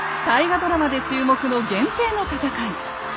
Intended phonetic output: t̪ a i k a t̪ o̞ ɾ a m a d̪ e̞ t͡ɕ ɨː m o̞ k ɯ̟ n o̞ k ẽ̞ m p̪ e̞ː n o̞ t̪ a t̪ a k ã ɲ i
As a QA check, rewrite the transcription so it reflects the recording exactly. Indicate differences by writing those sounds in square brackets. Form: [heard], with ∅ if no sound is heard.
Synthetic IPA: t̪ a i [ɡ] a [d̪] o̞ ɾ a m a d̪ e̞ t͡ɕ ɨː m o̞ k ɯ̟ n o̞ [ɡ] ẽ̞ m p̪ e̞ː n o̞ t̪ a t̪ a k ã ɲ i